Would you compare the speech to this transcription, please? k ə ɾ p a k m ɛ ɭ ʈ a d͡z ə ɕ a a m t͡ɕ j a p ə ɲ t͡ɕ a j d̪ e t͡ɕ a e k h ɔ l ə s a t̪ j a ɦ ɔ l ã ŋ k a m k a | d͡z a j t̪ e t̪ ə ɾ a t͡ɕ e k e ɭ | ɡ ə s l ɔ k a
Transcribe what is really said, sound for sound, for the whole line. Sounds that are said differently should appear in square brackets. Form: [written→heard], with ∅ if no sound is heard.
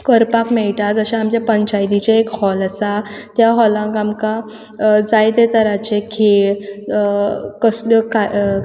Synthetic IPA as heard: k ə ɾ p a k m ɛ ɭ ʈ a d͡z ə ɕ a a m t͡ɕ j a p ə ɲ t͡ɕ a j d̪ [e→i] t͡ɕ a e k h ɔ l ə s a t̪ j a ɦ ɔ l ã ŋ k a m k a | d͡z a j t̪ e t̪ ə ɾ a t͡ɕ e [k→kʰ] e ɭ | [ɡ→k] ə s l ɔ k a